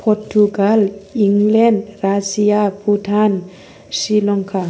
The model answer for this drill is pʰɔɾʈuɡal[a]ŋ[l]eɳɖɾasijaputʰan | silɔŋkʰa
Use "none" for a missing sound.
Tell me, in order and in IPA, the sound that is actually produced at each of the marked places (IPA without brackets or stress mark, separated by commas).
i, l